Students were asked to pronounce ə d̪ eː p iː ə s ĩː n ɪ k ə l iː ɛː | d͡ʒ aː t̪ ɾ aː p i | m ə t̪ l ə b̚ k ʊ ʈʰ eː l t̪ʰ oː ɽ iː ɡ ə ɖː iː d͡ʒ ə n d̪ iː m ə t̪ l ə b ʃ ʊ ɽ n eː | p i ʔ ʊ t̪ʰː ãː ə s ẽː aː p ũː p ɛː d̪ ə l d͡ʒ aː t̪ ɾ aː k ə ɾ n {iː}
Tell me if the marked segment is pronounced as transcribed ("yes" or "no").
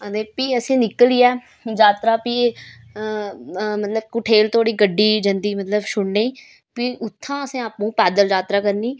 yes